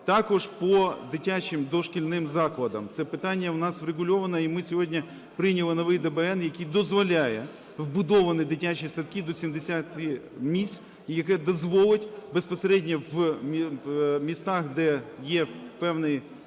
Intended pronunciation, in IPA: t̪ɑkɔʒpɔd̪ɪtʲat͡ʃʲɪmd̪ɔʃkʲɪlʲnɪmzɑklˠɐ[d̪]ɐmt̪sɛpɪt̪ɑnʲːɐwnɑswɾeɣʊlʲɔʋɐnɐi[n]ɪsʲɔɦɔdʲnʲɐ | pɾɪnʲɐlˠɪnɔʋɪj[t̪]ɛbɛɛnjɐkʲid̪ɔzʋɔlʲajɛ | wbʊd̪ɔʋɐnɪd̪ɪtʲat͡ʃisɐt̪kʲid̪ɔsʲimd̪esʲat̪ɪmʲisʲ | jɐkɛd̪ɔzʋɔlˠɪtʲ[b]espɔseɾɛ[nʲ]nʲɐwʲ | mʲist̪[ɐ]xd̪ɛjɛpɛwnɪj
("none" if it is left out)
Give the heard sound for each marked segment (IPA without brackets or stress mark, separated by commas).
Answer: d̪, m, d̪, b, dʲ, ɑ